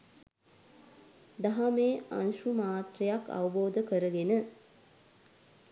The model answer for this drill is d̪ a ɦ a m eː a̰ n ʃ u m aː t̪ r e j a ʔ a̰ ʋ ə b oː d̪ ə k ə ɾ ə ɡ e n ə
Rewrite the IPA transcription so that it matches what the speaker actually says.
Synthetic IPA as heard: d̪ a ɦ a m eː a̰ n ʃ u m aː t̪ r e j a k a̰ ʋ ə b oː d̪ ə k ə ɾ ə ɡ e n ə